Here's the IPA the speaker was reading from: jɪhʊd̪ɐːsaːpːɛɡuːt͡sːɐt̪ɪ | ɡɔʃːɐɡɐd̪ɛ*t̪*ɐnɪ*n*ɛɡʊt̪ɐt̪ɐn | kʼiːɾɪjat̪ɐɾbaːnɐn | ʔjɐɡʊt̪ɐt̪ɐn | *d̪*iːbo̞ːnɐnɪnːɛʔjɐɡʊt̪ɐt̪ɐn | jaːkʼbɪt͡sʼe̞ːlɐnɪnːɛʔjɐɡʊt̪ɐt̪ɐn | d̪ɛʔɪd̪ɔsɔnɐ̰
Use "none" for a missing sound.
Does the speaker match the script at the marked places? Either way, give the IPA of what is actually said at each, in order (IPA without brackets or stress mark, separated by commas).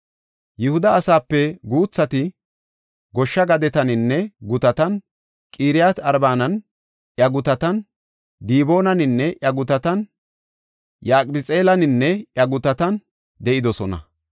t̪, nː, d̪